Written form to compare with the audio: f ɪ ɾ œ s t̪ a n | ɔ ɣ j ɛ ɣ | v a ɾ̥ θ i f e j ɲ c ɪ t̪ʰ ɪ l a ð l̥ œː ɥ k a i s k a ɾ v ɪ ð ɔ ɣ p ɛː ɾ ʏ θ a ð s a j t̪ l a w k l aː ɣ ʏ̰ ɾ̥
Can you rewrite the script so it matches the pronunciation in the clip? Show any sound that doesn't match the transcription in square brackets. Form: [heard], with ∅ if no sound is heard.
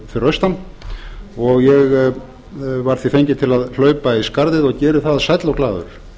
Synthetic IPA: f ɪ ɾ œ s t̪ a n | ɔ ɣ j ɛ ɣ | v a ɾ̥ θ i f e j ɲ c ɪ t̪ʰ ɪ l a ð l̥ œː ɥ [p] a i s k a ɾ [ð] ɪ ð ɔ ɣ [c] ɛː ɾ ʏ θ a ð s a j t̪ l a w k l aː [ð] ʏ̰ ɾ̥